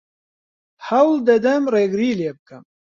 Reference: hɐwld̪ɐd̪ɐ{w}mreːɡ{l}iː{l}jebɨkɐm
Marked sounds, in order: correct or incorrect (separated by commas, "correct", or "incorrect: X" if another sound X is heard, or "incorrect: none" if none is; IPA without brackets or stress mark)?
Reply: incorrect: none, incorrect: ɾ, correct